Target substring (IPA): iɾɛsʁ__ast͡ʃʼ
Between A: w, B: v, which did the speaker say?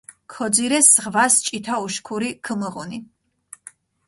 B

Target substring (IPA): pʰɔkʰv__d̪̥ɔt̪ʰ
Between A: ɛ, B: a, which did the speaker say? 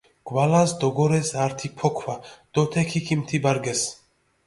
B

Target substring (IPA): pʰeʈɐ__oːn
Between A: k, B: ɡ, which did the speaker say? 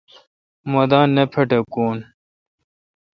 A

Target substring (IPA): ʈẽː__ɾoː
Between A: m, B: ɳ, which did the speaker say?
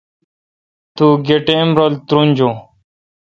A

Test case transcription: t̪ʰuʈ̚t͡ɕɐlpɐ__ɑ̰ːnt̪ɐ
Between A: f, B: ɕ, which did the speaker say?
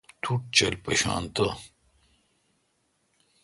B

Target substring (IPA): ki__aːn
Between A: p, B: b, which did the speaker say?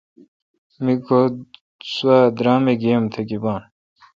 B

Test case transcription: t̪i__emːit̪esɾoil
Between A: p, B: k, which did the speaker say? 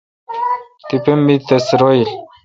A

